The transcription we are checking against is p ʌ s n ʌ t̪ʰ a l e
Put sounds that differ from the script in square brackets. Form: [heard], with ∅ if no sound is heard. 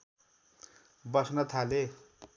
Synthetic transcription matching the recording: [b] ʌ s n ʌ t̪ʰ a l e